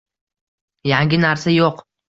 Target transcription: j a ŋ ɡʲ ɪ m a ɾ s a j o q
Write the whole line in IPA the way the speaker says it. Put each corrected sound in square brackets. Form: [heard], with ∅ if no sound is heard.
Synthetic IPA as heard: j a ŋ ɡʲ ɪ [n] a ɾ s a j o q